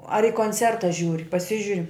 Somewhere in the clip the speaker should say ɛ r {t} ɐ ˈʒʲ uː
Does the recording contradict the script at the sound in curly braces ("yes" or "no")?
no